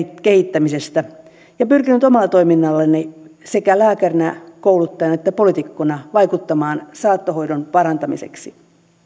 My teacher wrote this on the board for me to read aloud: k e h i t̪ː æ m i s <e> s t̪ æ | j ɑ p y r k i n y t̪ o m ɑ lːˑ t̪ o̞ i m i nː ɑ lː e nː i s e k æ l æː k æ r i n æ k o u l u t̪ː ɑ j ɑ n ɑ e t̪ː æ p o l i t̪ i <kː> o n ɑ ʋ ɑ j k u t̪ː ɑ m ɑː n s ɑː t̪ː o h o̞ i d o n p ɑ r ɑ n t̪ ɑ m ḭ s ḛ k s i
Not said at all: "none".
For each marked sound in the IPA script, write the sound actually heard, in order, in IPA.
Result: e, kː

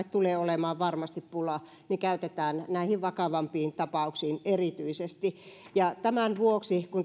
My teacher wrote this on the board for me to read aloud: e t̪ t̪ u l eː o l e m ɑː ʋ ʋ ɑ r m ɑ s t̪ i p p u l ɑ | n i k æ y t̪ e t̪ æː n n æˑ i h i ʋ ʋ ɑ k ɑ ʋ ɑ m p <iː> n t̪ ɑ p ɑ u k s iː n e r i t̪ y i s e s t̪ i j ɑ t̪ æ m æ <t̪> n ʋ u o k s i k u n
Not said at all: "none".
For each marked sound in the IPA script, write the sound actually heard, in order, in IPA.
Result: iː, none

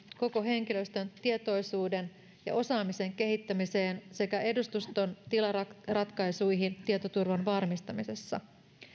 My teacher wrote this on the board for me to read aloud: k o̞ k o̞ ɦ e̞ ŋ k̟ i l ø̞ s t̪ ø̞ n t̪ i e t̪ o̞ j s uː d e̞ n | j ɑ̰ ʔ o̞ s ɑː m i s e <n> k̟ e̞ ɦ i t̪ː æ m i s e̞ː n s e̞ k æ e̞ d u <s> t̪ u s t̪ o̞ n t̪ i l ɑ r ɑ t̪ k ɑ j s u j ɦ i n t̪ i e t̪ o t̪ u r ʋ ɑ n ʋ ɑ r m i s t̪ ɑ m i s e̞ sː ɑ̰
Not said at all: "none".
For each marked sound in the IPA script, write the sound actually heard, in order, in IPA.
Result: ŋ, s

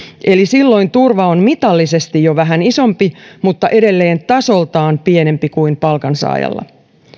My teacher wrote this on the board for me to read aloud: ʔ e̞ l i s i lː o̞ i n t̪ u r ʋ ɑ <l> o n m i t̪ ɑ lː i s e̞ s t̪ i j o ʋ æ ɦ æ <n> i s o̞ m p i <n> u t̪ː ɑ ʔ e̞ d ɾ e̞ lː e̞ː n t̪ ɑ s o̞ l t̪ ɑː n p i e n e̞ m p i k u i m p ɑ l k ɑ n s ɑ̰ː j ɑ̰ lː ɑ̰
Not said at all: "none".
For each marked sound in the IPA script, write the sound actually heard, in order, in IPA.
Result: none, n, m

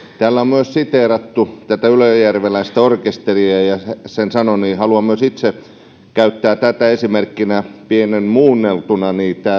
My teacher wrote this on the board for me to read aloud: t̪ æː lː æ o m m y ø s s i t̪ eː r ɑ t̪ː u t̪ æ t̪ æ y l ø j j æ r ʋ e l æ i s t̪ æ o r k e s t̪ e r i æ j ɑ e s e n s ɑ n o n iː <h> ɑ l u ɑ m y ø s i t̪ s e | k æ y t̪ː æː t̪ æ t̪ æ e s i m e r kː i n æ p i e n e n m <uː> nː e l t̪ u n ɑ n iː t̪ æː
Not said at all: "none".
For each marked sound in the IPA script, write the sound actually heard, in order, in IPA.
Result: h, uː

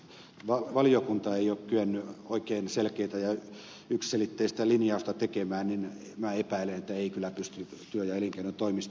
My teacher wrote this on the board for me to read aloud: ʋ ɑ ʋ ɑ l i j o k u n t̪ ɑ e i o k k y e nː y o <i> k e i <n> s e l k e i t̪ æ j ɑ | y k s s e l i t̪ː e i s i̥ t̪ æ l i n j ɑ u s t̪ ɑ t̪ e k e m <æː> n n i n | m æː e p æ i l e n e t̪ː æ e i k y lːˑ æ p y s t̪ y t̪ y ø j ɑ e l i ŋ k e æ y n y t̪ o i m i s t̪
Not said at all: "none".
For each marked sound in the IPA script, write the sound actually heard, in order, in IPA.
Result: i, n, æː

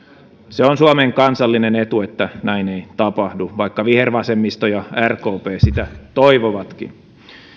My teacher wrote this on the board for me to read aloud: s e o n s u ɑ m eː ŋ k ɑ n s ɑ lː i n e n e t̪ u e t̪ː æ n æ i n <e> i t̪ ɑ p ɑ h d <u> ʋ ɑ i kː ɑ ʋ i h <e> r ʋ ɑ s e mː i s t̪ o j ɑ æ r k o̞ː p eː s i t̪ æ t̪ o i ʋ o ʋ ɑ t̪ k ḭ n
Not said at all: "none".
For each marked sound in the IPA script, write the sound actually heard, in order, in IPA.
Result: e, u, e

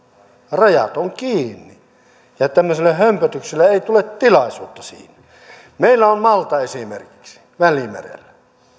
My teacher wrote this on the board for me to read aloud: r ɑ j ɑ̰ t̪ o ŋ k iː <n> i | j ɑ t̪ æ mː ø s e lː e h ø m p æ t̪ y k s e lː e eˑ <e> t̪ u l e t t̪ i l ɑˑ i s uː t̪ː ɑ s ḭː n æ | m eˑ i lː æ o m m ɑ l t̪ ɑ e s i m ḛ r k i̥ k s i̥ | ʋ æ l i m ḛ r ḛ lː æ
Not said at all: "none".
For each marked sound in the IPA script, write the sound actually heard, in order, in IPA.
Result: nː, i

